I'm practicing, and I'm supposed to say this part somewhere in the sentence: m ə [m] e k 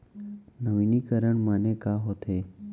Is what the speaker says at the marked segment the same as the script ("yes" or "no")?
no